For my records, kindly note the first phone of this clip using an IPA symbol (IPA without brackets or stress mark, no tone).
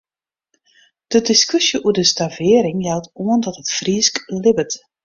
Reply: d̥